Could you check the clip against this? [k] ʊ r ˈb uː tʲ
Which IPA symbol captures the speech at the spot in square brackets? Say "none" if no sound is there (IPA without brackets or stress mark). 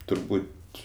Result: t